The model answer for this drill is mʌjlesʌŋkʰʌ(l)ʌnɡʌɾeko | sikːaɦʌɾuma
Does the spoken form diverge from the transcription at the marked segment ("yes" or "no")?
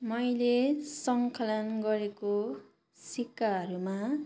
no